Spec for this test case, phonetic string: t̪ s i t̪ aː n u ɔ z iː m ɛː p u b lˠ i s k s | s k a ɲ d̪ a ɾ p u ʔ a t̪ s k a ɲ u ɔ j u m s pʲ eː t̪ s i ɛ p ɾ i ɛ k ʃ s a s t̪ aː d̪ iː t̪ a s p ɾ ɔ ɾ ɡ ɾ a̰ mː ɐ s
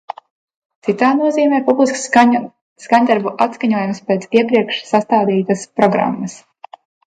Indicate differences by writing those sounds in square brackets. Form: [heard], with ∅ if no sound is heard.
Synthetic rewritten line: t̪ s i t̪ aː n u ɔ z iː m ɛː p u b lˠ i s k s | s k a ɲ d̪ a ɾ [b] u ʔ a t̪ s k a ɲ u ɔ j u m s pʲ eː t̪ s i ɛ p ɾ i ɛ k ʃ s a s t̪ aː d̪ iː t̪ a s p ɾ ɔ [∅] ɡ ɾ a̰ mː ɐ s